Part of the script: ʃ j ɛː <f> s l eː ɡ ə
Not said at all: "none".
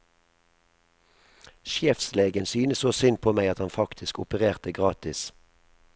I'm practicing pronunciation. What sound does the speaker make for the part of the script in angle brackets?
f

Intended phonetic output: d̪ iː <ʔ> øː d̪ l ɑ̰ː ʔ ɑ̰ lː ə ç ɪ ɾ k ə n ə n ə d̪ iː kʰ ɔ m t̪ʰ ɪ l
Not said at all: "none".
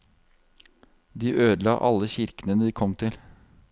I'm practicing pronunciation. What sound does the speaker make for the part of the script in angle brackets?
ʔ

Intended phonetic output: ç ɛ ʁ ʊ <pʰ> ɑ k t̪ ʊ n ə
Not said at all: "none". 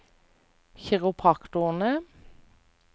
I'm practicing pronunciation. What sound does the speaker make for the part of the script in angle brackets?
pʰ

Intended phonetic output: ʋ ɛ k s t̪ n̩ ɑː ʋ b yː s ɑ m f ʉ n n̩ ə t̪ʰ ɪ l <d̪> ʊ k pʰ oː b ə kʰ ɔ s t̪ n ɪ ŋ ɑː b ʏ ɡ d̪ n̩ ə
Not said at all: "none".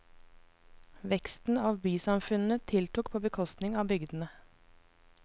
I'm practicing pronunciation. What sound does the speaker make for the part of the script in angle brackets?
t̪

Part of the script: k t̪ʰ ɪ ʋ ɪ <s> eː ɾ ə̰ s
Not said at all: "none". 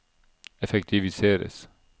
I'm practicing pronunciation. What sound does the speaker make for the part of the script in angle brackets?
s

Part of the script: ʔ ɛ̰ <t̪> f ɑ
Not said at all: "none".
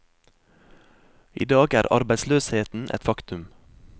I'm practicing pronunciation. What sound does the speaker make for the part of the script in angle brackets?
t̪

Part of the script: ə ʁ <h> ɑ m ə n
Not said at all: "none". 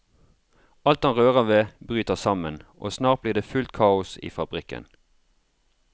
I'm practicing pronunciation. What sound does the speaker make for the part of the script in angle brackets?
s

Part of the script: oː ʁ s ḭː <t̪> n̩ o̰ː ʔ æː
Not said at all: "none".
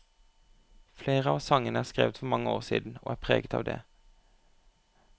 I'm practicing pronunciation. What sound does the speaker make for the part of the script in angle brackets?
d̪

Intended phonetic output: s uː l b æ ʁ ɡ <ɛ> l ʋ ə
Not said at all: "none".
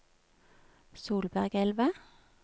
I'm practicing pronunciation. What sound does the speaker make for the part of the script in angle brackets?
ɛ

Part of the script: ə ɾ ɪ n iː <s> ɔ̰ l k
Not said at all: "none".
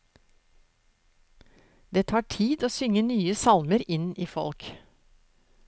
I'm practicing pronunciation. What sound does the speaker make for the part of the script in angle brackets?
f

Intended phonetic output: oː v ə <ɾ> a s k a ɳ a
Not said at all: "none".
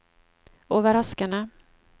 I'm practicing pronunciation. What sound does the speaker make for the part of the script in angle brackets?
ɾ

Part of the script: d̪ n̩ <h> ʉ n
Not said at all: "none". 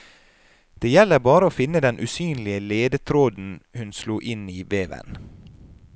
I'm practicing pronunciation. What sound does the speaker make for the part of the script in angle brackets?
h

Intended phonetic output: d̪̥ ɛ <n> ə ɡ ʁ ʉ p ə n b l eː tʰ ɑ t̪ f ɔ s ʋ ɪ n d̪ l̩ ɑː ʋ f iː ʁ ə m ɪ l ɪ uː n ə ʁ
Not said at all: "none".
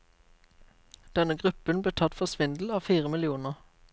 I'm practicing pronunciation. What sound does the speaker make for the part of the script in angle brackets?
n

